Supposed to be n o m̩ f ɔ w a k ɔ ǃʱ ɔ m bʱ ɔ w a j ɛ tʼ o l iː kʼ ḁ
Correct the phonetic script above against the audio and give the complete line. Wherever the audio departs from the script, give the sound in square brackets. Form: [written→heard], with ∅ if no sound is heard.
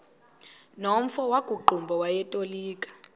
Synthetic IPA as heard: n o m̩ f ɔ w a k [ɔ→u] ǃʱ [ɔ→u] m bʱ ɔ w a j ɛ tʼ o l iː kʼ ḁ